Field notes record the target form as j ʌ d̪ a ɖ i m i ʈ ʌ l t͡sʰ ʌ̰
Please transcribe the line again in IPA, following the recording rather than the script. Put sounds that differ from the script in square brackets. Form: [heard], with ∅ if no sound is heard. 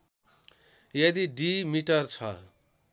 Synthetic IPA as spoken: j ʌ d̪ [i] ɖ i m i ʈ ʌ [r] t͡sʰ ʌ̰